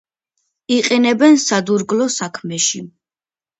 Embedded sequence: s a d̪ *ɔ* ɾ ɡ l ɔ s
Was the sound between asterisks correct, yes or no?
no